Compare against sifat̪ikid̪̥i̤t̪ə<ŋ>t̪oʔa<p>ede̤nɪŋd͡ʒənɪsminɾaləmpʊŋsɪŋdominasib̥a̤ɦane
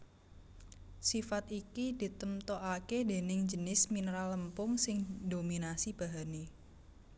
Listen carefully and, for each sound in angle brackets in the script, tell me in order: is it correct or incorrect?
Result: incorrect: m, incorrect: k

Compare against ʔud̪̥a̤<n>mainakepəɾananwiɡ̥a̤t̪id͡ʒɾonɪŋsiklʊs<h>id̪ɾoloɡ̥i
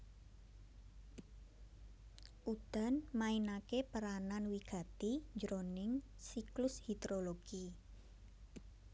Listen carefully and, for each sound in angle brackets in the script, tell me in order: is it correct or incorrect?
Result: correct, correct

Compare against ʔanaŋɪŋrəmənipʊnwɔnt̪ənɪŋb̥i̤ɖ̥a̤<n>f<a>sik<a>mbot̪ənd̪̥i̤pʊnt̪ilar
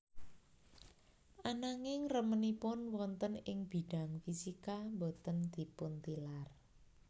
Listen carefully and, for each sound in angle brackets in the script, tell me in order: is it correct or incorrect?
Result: incorrect: ŋ, incorrect: i, correct

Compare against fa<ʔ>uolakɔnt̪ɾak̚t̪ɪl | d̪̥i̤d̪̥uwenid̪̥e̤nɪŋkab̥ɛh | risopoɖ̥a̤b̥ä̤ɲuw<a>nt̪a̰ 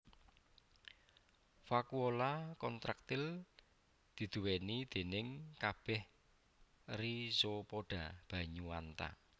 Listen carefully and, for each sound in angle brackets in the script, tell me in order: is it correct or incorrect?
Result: incorrect: k, correct

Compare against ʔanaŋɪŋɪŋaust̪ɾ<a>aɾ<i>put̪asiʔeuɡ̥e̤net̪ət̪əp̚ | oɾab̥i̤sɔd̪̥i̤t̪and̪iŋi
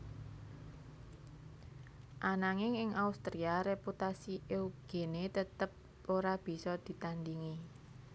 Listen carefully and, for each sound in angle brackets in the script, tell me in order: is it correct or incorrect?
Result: incorrect: i, incorrect: e

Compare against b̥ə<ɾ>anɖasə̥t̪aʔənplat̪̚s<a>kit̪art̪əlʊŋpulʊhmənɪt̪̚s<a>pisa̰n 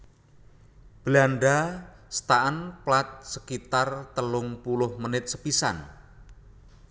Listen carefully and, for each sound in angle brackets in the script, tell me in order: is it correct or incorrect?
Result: incorrect: l, incorrect: ə, incorrect: ə

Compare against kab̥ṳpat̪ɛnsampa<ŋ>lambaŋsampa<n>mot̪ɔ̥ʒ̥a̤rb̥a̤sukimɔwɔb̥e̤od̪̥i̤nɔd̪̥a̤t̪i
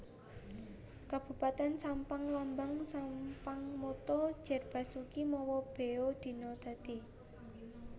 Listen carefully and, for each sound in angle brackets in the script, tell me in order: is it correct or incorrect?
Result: correct, incorrect: ŋ

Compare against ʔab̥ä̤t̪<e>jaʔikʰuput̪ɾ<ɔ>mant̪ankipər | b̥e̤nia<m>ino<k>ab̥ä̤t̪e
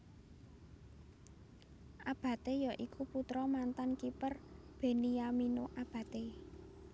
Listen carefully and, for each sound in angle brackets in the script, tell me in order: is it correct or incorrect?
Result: correct, correct, correct, incorrect: ʔ

